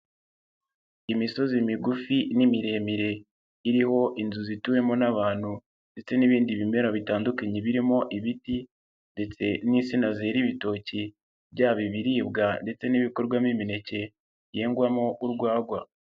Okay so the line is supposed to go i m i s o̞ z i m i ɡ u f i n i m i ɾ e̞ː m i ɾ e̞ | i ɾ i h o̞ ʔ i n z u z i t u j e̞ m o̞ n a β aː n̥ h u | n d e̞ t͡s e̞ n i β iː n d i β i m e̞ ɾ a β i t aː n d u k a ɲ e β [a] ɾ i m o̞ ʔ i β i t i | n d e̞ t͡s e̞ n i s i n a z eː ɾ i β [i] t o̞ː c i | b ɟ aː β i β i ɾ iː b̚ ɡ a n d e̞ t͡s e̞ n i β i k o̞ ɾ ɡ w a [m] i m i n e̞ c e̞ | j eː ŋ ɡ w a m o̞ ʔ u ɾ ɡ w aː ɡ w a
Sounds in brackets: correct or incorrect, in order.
incorrect: i, correct, correct

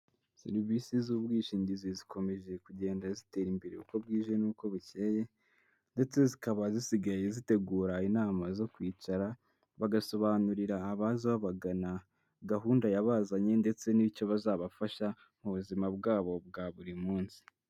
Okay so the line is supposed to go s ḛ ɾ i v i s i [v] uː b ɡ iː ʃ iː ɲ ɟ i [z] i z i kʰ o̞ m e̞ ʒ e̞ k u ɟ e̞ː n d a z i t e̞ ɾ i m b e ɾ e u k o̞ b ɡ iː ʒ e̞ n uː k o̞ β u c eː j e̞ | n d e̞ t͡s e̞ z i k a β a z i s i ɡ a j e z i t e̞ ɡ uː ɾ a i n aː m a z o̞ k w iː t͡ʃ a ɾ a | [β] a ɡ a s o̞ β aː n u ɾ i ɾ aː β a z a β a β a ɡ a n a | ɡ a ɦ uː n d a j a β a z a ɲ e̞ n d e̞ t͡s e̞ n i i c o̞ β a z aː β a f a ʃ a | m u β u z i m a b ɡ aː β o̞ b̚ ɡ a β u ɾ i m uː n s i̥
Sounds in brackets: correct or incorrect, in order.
incorrect: z, correct, correct

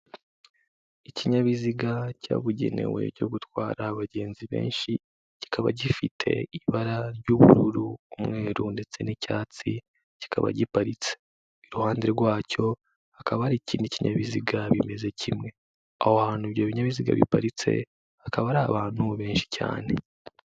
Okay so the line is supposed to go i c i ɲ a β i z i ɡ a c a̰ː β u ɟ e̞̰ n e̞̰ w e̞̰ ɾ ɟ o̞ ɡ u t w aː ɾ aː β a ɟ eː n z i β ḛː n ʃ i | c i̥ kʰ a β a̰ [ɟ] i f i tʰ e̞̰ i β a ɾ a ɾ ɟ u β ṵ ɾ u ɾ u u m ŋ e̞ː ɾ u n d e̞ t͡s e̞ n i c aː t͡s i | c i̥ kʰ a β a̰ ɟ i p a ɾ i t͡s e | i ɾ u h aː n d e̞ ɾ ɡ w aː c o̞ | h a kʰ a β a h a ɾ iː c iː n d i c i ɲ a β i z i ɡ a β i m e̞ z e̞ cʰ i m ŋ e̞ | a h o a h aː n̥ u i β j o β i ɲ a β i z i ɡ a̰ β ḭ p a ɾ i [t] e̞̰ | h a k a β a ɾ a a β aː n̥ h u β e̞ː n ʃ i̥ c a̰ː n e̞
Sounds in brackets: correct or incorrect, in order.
correct, incorrect: t͡s

